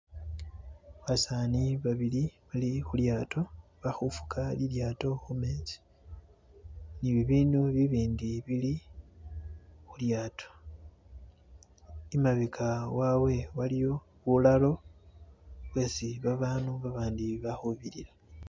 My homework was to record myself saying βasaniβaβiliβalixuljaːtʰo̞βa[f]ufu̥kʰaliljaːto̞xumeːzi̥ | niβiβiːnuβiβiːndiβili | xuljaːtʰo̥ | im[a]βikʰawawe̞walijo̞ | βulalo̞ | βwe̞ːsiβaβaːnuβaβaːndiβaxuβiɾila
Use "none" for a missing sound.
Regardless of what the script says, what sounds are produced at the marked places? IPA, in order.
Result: x, a

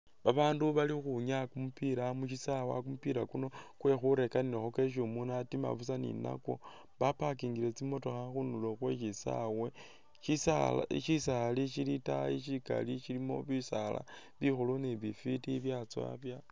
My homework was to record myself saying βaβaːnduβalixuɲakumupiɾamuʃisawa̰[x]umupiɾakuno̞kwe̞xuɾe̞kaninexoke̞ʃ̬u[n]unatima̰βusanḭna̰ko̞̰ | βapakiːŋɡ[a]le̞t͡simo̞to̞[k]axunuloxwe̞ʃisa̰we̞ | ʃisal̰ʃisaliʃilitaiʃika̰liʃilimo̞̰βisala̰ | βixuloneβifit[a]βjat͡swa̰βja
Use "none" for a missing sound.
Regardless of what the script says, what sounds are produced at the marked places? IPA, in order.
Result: k, m, i, x, i

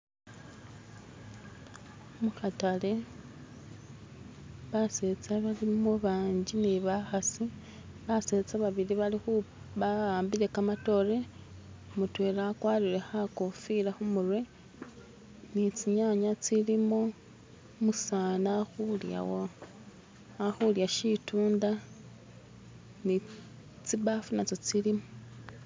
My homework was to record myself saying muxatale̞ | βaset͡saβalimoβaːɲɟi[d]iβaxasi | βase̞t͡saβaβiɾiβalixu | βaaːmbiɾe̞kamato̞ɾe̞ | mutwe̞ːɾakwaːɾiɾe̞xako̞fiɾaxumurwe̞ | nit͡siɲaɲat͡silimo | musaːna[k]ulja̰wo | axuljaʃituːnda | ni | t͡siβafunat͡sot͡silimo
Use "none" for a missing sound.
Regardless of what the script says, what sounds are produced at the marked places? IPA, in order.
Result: n, x

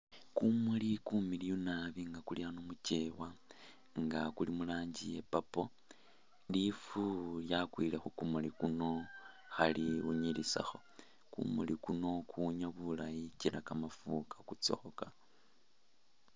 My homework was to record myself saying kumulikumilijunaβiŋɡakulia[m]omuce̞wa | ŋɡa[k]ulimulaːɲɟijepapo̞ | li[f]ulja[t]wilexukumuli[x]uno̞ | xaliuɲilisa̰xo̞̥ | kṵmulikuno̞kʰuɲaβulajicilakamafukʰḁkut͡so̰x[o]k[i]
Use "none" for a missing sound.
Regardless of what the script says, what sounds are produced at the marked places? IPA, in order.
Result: n, k, f, k, k, o, a

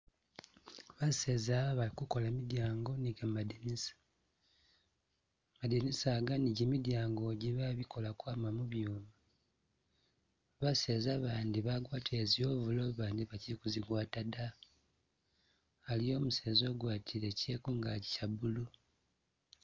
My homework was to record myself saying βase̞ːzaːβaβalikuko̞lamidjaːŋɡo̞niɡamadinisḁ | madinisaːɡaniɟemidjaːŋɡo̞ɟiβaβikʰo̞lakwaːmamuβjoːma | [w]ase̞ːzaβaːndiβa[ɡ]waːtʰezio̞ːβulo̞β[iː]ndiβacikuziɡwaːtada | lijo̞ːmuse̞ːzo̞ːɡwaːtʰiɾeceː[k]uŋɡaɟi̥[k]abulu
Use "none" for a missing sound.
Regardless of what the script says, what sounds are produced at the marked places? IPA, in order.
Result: β, ɡ, aː, k, c

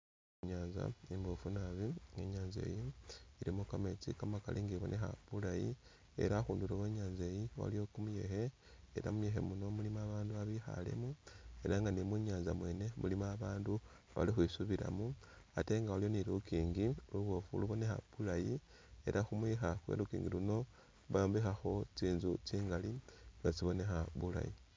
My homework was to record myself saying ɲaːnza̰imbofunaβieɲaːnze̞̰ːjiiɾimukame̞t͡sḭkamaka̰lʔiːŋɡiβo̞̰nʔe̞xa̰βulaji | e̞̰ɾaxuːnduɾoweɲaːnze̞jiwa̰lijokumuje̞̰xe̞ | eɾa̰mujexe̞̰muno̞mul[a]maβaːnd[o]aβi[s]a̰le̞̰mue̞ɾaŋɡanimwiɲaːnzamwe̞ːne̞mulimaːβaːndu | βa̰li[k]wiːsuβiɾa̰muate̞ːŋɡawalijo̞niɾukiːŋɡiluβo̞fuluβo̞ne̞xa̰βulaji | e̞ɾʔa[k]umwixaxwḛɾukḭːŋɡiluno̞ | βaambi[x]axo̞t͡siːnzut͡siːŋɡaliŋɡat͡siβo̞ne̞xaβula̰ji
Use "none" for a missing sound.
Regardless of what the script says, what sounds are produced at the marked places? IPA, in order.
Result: i, u, x, x, x, x

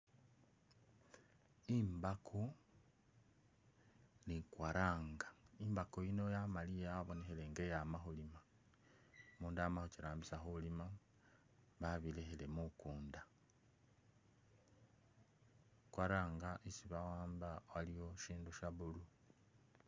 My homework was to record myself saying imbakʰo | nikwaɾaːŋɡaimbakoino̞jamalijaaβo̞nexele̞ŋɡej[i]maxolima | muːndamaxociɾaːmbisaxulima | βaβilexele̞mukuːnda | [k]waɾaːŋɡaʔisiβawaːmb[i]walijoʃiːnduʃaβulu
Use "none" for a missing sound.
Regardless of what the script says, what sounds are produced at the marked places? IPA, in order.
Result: a, k, a

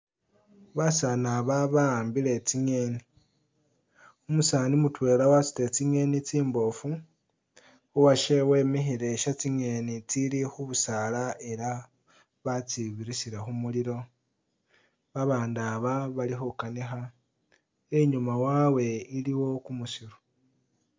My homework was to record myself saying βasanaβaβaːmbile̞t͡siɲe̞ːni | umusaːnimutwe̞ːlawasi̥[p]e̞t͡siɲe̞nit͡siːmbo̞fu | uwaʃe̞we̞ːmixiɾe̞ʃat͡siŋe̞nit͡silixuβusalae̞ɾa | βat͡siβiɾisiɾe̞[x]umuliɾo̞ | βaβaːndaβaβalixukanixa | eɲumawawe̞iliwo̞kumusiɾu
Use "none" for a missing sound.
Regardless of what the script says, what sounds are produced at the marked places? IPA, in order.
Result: t, x

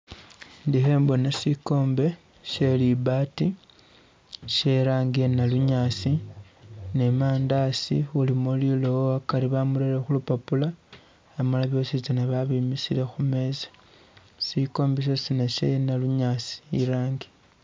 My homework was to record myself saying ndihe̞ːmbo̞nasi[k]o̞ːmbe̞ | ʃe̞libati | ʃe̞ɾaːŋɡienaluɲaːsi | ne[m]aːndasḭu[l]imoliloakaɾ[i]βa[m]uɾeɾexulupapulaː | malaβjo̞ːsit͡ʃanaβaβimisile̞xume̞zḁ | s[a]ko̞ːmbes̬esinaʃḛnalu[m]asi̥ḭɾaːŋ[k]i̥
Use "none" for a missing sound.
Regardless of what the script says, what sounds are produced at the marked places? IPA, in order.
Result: k, m, l, i, m, i, ɲ, ɡ

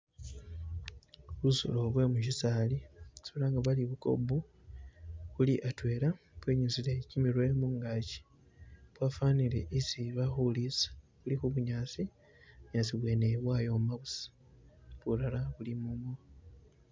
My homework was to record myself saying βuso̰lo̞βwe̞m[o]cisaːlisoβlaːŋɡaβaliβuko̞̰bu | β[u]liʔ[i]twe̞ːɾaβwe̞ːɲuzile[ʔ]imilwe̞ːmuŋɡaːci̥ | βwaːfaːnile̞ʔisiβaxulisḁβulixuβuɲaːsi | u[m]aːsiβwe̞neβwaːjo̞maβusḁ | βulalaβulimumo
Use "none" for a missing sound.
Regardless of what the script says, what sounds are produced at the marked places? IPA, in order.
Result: u, u, a, c, ɲ

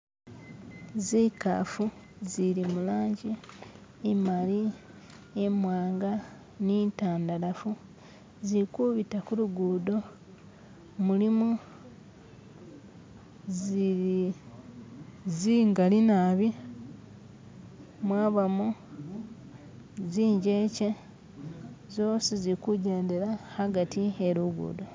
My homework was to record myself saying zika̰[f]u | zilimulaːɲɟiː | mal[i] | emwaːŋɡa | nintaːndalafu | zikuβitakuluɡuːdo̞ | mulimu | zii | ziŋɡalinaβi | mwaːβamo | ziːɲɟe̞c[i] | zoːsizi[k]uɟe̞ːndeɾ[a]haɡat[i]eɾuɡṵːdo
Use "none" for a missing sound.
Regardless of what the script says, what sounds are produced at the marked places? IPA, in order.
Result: f, i, e, k, a, i

